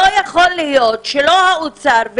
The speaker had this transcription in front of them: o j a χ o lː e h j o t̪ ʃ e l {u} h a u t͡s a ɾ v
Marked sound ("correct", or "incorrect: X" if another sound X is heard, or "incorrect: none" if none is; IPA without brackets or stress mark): incorrect: o